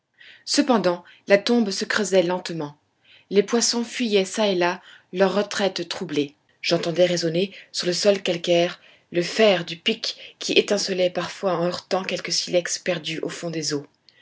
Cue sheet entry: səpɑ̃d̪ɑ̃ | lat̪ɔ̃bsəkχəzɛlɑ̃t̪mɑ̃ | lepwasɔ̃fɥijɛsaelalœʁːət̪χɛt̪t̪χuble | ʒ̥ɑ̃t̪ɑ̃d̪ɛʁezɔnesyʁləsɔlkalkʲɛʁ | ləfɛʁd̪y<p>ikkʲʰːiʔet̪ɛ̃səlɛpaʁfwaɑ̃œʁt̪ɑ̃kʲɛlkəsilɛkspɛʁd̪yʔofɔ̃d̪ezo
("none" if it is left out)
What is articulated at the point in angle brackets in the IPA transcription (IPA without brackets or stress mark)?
p